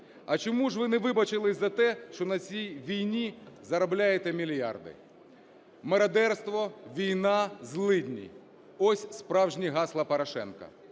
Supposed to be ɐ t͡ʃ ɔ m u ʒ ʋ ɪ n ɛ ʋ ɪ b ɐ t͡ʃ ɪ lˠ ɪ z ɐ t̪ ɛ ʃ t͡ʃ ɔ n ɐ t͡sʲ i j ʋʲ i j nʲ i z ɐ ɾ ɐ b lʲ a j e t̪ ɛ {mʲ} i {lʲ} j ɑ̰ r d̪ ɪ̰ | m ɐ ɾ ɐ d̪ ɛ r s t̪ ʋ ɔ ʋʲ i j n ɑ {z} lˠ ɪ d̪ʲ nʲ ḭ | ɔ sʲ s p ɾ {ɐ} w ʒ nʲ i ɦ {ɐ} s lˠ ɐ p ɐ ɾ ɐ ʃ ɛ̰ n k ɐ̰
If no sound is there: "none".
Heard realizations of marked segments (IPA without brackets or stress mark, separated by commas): mʲ, lʲ, z, ɑ, ɑ